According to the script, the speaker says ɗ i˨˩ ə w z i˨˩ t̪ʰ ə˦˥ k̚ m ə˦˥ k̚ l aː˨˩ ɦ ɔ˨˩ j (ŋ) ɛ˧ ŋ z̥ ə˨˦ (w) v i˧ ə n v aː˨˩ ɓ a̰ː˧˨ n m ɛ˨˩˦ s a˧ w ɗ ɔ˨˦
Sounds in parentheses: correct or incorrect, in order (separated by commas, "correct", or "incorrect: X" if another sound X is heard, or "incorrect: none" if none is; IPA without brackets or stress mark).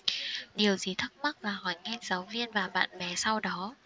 correct, correct